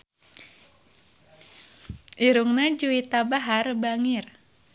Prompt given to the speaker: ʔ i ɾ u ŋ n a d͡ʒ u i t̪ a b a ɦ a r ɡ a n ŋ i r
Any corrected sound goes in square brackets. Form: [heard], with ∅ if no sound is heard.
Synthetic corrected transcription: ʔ i ɾ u ŋ n a d͡ʒ u i t̪ a b a ɦ a r [b] a [∅] ŋ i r